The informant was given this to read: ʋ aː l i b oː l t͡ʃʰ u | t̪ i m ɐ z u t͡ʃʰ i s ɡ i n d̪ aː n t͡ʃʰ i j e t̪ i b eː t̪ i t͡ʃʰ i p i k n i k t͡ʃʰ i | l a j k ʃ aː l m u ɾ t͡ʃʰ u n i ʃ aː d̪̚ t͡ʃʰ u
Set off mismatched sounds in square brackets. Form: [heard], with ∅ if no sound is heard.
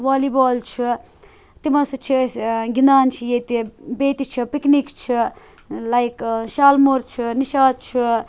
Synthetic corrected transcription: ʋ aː l i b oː l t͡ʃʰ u | t̪ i m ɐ [s] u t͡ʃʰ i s ɡ i n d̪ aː n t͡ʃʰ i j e t̪ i b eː t̪ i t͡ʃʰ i p i k n i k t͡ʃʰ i | l a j k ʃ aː l m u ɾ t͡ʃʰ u n i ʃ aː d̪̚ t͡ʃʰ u